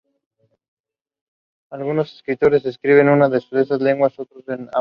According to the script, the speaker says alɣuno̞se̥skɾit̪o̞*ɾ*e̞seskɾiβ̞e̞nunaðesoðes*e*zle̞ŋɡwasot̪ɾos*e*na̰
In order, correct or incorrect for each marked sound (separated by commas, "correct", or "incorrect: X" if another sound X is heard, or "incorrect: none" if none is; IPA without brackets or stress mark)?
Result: correct, incorrect: a, correct